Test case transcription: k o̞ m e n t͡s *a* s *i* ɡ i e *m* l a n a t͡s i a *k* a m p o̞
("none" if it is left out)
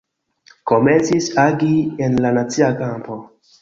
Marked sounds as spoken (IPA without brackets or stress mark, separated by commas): i, a, n, k